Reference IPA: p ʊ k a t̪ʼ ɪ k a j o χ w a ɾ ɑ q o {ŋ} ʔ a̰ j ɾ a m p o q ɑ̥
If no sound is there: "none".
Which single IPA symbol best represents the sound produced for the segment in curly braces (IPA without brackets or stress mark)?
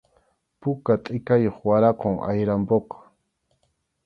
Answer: ŋ